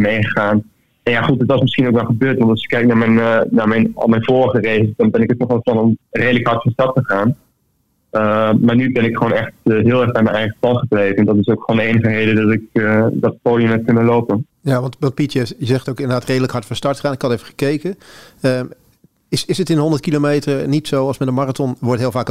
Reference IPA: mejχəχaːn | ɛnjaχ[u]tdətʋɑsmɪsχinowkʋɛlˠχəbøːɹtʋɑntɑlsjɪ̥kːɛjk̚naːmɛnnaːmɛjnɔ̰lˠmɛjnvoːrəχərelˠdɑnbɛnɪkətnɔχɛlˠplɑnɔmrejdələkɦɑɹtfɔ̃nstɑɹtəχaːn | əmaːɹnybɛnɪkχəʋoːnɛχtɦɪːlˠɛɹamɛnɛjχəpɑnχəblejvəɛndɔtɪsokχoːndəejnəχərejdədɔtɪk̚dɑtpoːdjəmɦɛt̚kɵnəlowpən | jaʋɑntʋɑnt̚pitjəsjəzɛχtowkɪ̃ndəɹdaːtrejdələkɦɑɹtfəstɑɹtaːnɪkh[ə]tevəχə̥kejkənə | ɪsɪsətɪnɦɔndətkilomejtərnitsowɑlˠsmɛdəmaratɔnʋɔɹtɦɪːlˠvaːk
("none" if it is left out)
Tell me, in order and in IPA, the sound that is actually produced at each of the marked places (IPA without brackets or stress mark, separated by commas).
u, ɑ